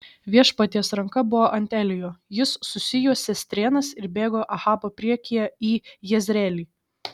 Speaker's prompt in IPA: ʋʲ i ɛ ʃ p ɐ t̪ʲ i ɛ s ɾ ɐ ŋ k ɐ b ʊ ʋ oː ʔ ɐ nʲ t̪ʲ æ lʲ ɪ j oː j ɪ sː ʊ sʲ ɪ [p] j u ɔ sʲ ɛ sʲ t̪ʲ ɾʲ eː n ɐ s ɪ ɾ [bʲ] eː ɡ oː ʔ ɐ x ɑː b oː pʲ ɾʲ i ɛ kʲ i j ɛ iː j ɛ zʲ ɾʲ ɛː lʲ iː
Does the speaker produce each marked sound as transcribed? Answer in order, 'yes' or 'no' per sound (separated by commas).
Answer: no, yes